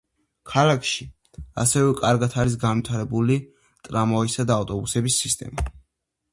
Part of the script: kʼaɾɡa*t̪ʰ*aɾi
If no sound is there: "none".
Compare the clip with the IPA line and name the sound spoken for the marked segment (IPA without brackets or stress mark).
t̪ʰ